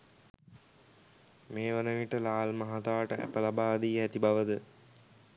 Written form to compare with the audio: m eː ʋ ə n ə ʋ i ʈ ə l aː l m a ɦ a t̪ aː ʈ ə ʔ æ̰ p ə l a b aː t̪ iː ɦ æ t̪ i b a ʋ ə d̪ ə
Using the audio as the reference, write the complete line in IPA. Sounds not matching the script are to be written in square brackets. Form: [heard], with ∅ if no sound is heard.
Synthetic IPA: m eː ʋ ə n ə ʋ i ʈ ə l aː l m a ɦ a t̪ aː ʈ ə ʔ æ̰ p ə l a b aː [d̪] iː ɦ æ t̪ i b a ʋ ə d̪ ə